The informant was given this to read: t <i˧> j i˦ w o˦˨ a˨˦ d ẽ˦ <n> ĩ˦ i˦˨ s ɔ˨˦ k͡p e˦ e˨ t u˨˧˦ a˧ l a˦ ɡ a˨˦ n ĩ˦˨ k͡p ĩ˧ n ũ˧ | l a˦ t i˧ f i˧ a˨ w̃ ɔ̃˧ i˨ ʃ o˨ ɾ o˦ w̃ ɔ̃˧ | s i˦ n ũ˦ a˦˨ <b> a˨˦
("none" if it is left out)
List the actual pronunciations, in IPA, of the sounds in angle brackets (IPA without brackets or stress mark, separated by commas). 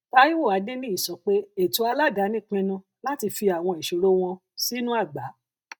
a˧, n, ɡ͡b